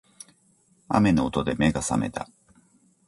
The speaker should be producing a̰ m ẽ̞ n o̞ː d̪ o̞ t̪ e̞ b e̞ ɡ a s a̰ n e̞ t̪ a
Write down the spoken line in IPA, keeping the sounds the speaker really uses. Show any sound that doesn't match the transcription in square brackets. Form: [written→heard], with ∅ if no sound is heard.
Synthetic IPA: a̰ m [ẽ̞→e̞] n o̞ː [d̪→t̪] o̞ [t̪→d̪] e̞ [b→m] e̞ ɡ a s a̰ [n→m] e̞ t̪ a